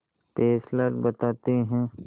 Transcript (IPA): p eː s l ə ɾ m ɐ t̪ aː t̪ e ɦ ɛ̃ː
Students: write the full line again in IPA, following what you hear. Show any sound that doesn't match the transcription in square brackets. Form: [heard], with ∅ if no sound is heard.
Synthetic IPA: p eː s l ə ɾ [b] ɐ t̪ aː t̪ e ɦ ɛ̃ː